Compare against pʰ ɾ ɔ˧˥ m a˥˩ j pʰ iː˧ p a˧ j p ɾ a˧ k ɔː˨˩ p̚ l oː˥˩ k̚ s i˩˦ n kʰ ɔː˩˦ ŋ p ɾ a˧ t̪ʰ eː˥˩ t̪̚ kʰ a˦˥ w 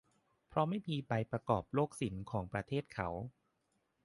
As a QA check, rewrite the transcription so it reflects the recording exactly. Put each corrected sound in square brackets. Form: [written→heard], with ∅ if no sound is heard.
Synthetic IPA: pʰ ɾ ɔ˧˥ m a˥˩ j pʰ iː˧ p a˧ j p ɾ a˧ k ɔː˨˩ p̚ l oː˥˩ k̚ s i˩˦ n kʰ ɔː˩˦ ŋ p ɾ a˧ t̪ʰ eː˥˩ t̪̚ kʰ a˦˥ w